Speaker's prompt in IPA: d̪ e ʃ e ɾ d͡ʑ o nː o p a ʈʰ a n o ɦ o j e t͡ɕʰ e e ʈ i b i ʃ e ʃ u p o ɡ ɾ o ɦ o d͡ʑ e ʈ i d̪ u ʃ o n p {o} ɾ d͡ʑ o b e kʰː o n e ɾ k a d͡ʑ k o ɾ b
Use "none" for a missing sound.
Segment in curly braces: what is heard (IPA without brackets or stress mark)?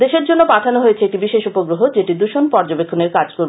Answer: ɔ